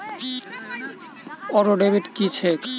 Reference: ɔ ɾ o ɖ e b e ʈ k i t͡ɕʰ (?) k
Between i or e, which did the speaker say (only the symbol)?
e